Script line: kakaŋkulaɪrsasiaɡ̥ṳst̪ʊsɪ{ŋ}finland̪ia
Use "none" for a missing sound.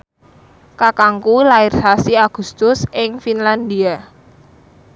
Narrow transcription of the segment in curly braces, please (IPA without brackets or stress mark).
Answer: ŋ